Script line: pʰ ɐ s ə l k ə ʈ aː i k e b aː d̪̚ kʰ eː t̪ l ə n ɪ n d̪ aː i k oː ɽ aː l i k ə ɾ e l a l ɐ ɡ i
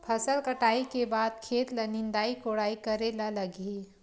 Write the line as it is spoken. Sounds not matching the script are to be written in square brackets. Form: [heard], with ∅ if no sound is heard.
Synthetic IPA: pʰ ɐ s ə l k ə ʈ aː i k e b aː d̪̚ kʰ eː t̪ l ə n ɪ n d̪ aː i k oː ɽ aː [∅] i k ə ɾ e l a l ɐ ɡ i